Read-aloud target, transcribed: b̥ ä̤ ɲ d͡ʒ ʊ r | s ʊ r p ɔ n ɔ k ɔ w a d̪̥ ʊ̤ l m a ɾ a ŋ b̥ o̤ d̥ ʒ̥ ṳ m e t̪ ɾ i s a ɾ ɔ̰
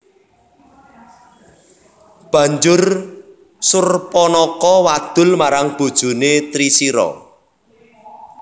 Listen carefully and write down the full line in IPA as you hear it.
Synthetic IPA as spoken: b̥ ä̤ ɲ d͡ʒ ʊ r | s ʊ r p ɔ n ɔ k ɔ w a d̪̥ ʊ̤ l m a ɾ a ŋ b̥ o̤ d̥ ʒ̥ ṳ n e t̪ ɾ i s i ɾ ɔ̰